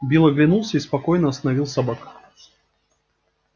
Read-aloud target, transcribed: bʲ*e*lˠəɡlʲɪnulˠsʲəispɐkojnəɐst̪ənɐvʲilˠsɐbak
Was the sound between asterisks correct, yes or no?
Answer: no